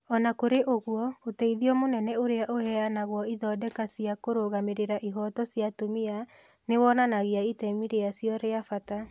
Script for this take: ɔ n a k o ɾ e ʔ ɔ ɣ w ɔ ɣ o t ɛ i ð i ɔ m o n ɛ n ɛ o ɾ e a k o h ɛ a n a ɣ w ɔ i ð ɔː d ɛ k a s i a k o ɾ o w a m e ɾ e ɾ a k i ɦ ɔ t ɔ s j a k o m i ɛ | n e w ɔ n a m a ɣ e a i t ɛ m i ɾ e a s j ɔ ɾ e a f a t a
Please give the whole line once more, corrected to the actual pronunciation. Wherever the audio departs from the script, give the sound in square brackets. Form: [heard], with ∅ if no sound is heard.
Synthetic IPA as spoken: ɔ n a k o ɾ e ʔ [o] ɣ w ɔ [∅] o t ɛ i ð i ɔ m o n ɛ n ɛ o ɾ e a [ʔ] o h ɛ a n a ɣ w ɔ i ð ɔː d ɛ k a s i a k o ɾ o [ɣ] a m e ɾ e ɾ a [ʔ] i ɦ ɔ t ɔ s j a [t] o m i [a] | n e w ɔ n a [n] a ɣ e a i t ɛ m i ɾ e a s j ɔ ɾ e a f a t a